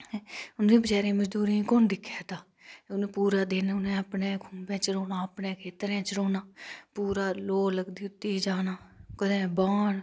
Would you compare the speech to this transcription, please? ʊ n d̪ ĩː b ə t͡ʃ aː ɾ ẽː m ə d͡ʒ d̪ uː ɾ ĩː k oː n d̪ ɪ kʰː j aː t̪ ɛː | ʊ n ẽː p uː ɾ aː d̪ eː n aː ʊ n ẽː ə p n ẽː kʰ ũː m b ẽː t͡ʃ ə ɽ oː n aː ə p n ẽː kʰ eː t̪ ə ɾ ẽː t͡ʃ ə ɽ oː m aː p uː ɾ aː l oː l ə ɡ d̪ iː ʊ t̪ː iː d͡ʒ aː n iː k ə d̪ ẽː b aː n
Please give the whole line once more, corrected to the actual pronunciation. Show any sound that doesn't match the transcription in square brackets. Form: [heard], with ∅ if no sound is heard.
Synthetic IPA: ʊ n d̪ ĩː b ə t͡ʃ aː ɾ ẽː m ə d͡ʒ d̪ uː ɾ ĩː k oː n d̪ ɪ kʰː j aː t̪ [aː] | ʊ n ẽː p uː ɾ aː d̪ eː n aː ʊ n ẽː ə p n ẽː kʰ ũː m b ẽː t͡ʃ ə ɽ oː n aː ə p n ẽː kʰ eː t̪ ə ɾ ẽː t͡ʃ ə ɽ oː [n] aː p uː ɾ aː l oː l ə ɡ d̪ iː ʊ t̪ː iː d͡ʒ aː n [aː] k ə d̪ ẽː b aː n